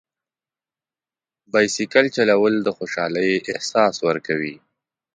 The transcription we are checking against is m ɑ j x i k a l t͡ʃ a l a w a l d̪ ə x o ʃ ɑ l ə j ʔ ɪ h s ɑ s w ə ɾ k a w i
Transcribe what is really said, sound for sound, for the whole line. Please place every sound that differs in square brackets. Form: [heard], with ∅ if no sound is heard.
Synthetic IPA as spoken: [b] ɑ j [s] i k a l t͡ʃ a l a w [ə] l d̪ ə x o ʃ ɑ l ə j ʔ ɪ h s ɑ s w ə ɾ k a w i

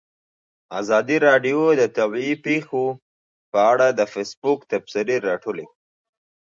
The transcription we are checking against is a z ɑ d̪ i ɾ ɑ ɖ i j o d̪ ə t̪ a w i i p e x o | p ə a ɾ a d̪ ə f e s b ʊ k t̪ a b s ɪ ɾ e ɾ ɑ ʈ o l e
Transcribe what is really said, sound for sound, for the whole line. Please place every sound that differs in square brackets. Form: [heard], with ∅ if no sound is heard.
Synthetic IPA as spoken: a z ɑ d̪ i ɾ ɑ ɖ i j o d̪ ə t̪ a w i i p e x o | p ə a [ɽ] a d̪ ə f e s b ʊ k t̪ a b s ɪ ɾ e ɾ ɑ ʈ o l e

